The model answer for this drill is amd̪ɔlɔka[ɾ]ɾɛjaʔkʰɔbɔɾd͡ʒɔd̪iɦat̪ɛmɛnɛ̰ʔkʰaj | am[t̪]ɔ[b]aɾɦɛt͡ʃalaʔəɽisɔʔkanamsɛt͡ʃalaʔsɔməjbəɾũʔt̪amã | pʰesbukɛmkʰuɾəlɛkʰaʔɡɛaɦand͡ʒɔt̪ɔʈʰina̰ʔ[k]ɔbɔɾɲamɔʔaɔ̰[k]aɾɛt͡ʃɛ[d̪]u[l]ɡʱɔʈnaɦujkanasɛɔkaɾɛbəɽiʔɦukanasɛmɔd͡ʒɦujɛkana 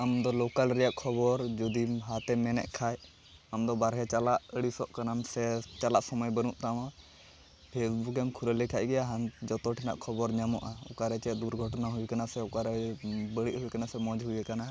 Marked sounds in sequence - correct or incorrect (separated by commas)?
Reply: incorrect, incorrect, correct, incorrect, correct, correct, incorrect